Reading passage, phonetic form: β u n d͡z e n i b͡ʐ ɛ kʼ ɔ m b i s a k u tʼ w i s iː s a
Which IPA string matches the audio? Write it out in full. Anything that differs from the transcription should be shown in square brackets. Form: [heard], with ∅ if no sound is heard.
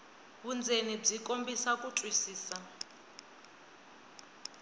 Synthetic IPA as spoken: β u n d͡z e n i b͡ʐ [i] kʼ [o] m b i s a k u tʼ w i s iː s a

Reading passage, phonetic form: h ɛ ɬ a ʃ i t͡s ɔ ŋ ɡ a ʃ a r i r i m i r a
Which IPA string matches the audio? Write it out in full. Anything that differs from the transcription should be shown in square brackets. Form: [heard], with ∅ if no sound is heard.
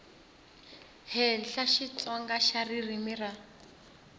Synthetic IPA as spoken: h ɛ ɬ a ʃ i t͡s ɔ ŋ ɡ a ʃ a r i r i m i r a

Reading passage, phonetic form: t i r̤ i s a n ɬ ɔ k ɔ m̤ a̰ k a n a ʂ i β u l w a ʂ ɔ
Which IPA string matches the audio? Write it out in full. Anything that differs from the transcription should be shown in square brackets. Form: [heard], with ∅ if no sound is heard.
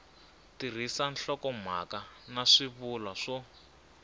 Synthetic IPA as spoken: t i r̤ i s a n ɬ ɔ k ɔ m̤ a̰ k a n a ʂ i β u l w a ʂ ɔ

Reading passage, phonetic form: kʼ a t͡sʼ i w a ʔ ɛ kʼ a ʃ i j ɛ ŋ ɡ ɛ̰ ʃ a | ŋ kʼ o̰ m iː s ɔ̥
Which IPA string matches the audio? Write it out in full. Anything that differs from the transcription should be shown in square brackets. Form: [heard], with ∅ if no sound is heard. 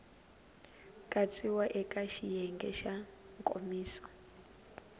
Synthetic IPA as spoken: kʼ a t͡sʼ i w a ʔ ɛ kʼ a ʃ i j ɛ ŋ ɡ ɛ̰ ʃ a | ŋ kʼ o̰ m iː s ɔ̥

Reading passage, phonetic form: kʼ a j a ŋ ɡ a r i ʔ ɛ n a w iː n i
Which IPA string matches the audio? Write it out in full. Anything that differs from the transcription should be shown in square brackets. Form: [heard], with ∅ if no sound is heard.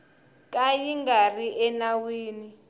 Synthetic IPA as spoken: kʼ a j [i] ŋ ɡ a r i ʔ ɛ n a w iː n i

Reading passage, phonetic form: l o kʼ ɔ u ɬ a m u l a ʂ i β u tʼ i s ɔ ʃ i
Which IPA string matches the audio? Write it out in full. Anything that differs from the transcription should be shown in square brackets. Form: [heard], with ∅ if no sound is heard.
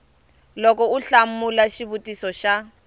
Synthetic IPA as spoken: l [ɔ] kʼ ɔ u ɬ a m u l a [ʃ] i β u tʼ i s ɔ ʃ [a]

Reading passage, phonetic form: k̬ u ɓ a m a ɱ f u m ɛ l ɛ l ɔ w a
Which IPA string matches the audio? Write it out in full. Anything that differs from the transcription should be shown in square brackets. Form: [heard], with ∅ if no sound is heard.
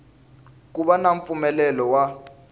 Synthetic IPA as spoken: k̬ u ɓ a [n] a ɱ f u m ɛ l ɛ l ɔ w a

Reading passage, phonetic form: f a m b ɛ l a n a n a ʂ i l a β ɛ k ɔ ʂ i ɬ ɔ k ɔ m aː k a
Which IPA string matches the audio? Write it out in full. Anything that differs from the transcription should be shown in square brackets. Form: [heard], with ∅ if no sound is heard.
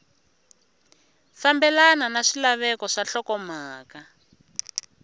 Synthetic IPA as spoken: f a m b ɛ l a n a n a ʂ i l a β ɛ k ɔ ʂ [a] ɬ ɔ k ɔ m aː k a

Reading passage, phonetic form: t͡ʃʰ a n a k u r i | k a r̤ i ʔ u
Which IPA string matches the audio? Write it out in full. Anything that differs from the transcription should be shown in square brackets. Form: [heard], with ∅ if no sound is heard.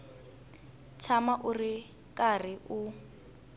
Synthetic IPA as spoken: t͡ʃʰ a [m] a [ʔ] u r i | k a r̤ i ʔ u

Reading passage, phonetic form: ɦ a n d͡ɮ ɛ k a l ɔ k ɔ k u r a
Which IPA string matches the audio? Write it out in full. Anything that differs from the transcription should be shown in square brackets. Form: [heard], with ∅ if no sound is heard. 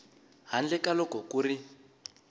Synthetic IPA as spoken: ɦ a n d͡ɮ ɛ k a l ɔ k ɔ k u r [i]

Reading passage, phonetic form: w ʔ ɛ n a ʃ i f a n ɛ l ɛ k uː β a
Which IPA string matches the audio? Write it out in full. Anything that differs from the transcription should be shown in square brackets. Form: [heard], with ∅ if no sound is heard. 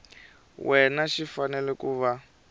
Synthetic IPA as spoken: w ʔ ɛ n a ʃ i f a n ɛ l ɛ k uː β a

